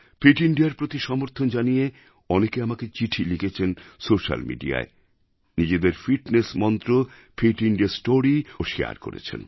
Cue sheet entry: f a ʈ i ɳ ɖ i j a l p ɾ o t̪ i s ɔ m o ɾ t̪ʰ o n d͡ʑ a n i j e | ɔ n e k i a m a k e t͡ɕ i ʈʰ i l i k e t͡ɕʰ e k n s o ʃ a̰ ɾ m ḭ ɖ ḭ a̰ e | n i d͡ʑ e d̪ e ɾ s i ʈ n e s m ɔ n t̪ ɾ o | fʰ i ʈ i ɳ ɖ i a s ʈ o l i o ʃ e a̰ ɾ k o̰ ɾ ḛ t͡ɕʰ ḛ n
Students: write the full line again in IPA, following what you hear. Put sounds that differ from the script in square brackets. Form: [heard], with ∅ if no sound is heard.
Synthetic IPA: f [i] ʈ i ɳ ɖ i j a [ɾ] p ɾ o t̪ i [ʃ] ɔ m o ɾ t̪ʰ o n d͡ʑ a n i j e | ɔ n e k [e] a m a k e t͡ɕ i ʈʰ i l i k e t͡ɕʰ e [∅] n s o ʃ a̰ [l] m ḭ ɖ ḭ a̰ e | n i d͡ʑ e d̪ e ɾ [f] i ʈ n e s m ɔ n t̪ ɾ o | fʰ i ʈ i ɳ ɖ i a s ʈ o [ɾ] i o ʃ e a̰ ɾ k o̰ ɾ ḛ t͡ɕʰ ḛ n